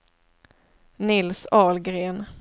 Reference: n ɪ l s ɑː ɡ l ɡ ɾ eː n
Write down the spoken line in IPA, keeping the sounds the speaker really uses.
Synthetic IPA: n ɪ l s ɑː l ɡ ɾ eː n